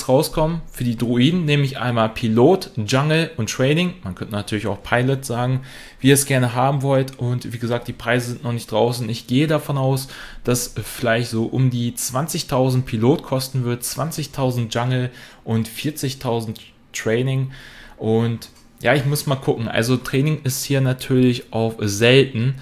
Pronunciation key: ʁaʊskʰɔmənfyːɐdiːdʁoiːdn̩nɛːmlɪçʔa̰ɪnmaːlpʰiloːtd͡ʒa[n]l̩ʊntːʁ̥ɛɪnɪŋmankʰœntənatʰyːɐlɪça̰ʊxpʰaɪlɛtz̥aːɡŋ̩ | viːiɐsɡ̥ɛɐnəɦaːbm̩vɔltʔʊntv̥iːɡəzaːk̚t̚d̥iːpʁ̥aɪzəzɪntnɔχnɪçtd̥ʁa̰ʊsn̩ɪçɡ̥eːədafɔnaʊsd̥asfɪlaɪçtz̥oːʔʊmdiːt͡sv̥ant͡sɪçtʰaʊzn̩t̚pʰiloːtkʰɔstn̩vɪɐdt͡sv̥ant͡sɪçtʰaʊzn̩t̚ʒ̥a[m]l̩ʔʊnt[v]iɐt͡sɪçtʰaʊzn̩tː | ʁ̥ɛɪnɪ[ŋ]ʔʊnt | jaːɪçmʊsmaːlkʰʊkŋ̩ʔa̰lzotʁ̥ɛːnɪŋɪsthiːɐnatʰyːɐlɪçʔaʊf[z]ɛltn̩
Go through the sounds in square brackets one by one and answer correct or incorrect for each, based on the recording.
incorrect, incorrect, incorrect, correct, correct

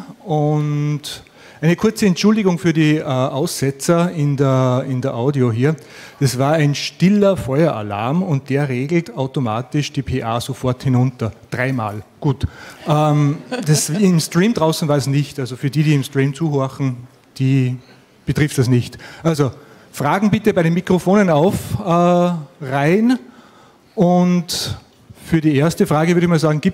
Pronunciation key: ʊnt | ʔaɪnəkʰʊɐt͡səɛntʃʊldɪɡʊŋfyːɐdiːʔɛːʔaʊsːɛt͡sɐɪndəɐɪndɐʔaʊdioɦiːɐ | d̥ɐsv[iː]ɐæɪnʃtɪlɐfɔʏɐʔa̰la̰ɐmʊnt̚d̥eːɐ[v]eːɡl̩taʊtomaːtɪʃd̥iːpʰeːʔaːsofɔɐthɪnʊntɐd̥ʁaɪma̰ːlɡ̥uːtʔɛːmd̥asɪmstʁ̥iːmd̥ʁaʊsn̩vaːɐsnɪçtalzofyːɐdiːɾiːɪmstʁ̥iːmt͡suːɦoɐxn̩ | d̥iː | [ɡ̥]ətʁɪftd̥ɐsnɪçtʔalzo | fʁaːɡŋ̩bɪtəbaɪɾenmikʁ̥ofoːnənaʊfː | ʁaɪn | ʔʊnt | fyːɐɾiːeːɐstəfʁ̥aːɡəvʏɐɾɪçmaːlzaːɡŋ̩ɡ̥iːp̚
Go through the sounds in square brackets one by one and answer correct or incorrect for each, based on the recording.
incorrect, incorrect, incorrect

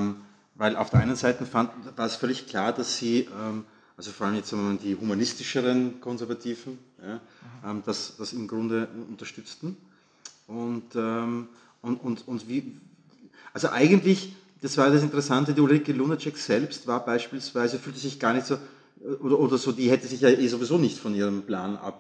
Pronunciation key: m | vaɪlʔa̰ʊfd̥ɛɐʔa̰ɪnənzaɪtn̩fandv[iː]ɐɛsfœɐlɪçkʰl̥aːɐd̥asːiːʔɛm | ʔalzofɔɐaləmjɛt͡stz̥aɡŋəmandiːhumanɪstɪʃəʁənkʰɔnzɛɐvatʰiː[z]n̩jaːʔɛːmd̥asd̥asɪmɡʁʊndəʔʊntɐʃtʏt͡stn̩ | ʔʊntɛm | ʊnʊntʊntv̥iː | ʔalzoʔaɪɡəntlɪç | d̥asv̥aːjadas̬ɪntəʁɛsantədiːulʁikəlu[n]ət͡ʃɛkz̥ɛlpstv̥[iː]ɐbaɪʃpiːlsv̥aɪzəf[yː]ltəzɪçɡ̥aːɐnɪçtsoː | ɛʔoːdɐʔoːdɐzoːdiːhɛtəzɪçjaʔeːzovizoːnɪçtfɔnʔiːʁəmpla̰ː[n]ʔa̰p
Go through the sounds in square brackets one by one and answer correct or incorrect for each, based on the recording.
incorrect, incorrect, correct, incorrect, correct, correct

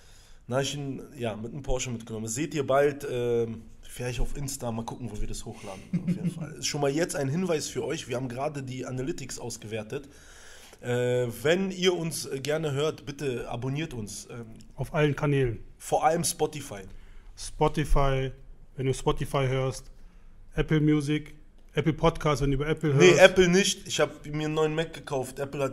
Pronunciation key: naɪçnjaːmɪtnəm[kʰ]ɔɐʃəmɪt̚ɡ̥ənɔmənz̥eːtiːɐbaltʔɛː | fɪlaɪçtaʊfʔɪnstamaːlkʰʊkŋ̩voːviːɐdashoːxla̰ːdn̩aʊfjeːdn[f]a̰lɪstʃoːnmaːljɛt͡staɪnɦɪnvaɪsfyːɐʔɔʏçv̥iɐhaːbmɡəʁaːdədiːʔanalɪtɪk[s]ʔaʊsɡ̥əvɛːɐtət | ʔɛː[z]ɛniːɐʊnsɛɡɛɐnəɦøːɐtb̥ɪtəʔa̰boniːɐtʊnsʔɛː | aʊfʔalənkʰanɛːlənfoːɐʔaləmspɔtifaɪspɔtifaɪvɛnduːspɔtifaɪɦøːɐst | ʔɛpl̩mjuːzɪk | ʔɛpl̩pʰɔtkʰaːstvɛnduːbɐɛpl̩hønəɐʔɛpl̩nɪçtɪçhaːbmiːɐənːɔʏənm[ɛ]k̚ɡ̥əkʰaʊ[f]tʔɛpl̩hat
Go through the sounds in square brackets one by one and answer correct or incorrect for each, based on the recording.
incorrect, correct, correct, incorrect, correct, correct

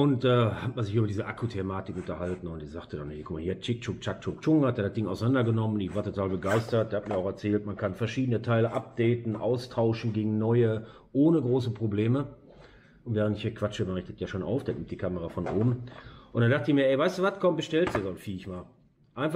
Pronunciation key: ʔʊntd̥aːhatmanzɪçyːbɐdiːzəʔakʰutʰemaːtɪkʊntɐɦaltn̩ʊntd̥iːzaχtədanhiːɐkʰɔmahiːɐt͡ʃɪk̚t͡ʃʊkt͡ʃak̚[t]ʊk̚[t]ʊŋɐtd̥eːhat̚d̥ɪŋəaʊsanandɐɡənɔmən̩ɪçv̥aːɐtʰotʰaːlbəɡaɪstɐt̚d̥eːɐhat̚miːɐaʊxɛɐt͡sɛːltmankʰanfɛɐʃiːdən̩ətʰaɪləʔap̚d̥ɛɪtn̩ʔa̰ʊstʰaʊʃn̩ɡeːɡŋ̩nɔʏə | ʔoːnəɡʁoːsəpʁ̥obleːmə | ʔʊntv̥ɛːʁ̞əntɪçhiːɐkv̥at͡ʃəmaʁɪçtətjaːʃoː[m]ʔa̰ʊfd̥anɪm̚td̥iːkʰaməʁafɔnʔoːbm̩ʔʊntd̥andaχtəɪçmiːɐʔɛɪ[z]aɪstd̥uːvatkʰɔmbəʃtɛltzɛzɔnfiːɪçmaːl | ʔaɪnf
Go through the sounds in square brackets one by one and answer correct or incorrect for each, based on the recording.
incorrect, incorrect, incorrect, incorrect

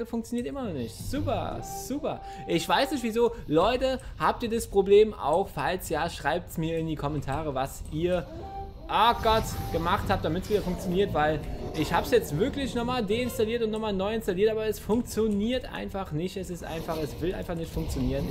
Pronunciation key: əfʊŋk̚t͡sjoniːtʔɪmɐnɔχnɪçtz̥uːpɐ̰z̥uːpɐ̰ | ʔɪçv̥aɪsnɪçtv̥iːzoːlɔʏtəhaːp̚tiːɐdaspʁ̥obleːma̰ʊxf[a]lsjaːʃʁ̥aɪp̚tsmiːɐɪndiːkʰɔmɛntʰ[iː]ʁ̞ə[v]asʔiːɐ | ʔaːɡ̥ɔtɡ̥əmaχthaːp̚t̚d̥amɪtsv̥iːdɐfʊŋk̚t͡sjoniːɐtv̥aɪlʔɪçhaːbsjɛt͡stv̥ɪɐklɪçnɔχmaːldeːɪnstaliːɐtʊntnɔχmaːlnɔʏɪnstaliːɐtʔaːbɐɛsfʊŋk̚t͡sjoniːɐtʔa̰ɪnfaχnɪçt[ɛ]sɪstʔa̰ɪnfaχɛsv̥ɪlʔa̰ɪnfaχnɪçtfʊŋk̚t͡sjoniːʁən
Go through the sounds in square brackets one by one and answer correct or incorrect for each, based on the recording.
correct, incorrect, correct, correct

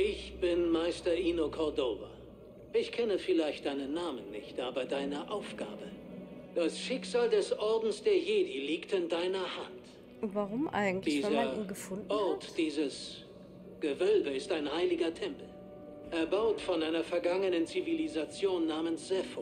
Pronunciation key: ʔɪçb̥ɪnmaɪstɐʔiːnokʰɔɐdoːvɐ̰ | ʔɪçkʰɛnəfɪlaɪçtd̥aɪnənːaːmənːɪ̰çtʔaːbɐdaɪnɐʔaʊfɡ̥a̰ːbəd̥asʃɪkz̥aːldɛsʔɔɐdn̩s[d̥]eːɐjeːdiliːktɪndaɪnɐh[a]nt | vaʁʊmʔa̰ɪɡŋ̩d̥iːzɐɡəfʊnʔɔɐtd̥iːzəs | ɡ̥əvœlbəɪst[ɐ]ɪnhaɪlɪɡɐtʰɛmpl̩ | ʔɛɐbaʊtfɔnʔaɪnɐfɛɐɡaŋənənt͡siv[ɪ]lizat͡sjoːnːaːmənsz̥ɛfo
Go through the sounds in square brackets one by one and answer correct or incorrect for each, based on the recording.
correct, correct, incorrect, incorrect

